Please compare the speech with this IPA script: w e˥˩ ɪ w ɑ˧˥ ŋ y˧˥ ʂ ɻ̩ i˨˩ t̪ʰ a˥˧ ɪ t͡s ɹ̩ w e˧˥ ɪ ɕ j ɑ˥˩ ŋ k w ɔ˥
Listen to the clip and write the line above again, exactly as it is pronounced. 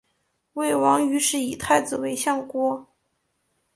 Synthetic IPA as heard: w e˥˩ ɪ w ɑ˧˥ ŋ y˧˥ ʂ ɻ̩ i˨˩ t̪ʰ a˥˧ ɪ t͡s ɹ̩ w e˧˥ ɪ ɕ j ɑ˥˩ ŋ k w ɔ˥